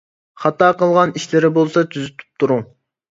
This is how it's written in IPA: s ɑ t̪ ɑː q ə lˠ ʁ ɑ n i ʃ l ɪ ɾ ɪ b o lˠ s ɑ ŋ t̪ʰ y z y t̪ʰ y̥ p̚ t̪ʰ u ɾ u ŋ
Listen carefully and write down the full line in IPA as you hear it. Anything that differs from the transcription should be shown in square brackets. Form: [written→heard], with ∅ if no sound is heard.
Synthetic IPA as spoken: [s→χ] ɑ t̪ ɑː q ə lˠ ʁ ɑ n i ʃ l ɪ ɾ ɪ b o lˠ s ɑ [ŋ→∅] t̪ʰ y z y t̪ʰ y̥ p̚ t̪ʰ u ɾ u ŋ